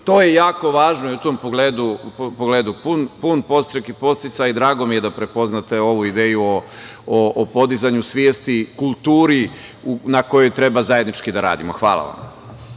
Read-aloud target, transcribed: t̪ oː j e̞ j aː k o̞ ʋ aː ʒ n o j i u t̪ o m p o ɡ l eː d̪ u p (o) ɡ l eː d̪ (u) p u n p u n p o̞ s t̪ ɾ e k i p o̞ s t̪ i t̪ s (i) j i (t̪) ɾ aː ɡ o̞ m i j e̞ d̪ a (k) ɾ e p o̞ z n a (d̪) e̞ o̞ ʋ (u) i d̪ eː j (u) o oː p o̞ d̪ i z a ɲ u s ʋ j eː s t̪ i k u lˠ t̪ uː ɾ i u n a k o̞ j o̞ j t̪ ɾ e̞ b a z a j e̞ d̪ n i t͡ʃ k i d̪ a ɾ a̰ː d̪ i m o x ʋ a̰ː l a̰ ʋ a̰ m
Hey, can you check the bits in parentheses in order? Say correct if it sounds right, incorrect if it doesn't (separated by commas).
correct, correct, incorrect, incorrect, incorrect, incorrect, correct, correct